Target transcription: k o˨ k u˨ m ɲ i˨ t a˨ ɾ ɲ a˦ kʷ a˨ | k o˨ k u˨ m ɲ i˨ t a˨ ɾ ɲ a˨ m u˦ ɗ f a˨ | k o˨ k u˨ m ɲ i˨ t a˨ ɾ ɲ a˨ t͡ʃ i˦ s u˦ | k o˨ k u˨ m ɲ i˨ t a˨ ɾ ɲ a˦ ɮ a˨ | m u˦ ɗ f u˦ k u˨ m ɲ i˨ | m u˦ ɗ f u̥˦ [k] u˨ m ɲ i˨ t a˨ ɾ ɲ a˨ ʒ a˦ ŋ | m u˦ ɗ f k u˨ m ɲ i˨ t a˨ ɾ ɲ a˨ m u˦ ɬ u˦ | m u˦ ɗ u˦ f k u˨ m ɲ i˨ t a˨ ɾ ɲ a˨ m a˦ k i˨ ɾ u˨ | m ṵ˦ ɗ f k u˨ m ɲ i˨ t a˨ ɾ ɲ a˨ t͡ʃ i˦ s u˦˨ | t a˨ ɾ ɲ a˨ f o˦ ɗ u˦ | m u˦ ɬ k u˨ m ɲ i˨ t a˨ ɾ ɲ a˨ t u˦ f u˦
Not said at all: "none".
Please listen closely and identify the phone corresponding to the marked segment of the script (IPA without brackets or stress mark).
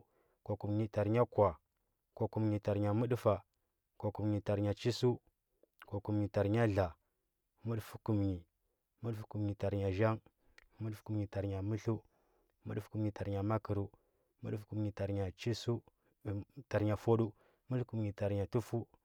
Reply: k